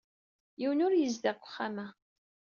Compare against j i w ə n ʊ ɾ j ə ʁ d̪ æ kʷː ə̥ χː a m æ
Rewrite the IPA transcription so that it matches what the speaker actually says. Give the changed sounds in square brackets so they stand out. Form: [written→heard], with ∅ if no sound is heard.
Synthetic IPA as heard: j i w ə n ʊ ɾ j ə [ʁ→z] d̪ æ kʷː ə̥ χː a m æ